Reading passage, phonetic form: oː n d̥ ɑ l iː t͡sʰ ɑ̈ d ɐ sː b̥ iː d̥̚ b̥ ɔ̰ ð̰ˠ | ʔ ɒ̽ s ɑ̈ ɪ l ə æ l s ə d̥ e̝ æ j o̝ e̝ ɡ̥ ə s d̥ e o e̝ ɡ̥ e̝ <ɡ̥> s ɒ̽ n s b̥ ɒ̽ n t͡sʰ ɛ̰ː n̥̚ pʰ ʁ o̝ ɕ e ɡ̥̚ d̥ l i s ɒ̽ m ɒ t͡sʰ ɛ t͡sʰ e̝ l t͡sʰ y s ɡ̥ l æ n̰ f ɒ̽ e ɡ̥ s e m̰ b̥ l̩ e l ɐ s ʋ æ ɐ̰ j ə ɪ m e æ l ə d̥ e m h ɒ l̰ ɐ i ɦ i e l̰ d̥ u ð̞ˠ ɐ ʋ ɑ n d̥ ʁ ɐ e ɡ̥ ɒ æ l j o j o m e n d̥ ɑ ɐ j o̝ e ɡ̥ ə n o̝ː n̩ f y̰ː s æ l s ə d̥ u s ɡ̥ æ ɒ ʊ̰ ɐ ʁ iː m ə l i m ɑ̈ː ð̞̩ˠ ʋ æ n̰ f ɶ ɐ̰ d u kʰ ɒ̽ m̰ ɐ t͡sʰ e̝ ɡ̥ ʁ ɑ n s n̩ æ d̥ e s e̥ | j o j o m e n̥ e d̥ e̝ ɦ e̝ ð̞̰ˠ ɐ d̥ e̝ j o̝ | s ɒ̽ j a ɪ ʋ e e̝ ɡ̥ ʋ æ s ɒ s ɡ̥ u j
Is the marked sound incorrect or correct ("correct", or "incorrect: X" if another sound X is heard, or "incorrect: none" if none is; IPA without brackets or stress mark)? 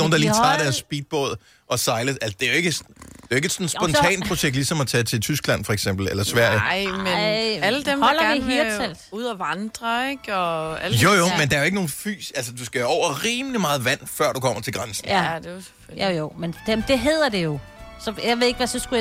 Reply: incorrect: d̥